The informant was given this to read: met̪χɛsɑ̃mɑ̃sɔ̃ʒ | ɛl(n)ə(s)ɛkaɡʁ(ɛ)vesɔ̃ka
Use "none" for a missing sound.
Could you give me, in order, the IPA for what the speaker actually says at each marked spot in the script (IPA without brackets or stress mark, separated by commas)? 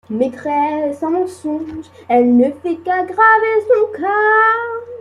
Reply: n, f, a